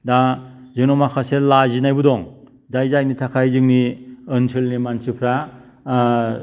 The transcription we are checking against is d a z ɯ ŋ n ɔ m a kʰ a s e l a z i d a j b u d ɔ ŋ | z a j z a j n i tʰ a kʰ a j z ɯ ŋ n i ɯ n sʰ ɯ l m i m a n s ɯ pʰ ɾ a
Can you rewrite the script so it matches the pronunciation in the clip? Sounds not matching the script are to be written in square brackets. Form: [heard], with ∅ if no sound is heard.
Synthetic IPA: d a z ɯ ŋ n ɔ m a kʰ a s e l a z i [n] a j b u d ɔ ŋ | z a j z a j n i tʰ a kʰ a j z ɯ ŋ n i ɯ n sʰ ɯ l [n] i m a n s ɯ pʰ ɾ a